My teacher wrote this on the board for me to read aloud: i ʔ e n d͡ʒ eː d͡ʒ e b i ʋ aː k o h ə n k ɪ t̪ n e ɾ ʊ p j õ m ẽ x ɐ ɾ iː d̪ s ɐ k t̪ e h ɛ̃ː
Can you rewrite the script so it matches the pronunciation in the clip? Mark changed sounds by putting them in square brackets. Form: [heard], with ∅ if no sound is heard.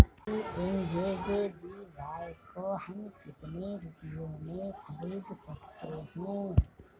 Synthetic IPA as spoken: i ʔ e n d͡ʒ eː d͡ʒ e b i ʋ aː k o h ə [m] k ɪ t̪ n e ɾ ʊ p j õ m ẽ x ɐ ɾ iː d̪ s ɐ k t̪ e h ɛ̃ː